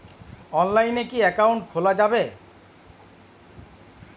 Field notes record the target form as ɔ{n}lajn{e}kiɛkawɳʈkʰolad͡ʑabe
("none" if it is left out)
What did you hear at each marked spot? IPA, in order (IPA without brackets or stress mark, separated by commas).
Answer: n, e